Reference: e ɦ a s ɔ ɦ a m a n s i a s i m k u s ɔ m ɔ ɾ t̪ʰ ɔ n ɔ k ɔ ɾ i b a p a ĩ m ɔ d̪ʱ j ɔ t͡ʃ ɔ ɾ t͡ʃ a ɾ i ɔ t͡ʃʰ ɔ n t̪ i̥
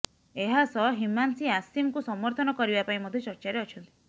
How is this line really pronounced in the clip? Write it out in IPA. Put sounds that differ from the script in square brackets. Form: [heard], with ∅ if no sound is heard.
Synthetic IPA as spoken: e ɦ a s ɔ ɦ [i] m a n s i a s i m k u s ɔ m ɔ ɾ t̪ʰ ɔ n ɔ k ɔ ɾ i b a p a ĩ m ɔ d̪ʱ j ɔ t͡ʃ ɔ ɾ t͡ʃ a ɾ [e] ɔ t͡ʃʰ ɔ n t̪ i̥